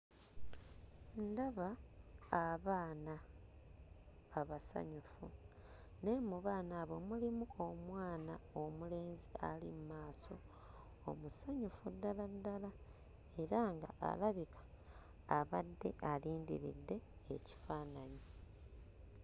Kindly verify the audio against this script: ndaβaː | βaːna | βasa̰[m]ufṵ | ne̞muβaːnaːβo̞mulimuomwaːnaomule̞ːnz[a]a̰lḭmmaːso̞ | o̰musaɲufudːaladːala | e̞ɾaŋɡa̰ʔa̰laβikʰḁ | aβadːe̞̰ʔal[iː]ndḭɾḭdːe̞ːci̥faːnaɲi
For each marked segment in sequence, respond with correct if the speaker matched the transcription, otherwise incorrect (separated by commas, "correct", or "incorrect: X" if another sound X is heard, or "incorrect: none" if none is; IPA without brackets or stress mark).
incorrect: ɲ, incorrect: i, correct